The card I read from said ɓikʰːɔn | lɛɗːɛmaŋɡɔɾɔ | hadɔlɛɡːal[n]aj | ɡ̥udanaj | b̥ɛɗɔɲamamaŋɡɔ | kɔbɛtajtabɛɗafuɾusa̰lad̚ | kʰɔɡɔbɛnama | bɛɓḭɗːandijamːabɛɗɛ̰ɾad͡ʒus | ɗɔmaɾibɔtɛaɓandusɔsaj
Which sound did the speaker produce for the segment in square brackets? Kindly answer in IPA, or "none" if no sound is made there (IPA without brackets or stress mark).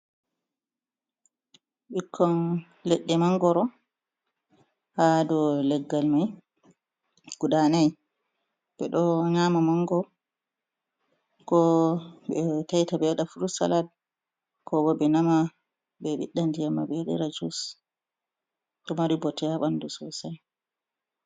m